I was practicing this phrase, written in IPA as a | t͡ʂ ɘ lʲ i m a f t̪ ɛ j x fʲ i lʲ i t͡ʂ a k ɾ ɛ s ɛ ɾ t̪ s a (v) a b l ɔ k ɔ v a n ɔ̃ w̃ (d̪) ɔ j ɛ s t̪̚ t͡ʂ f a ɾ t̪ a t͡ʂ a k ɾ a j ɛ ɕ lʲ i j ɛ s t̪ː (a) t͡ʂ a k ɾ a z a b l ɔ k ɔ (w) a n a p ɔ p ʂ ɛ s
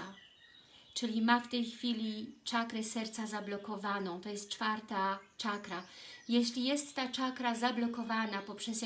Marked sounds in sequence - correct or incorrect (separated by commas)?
incorrect, incorrect, correct, incorrect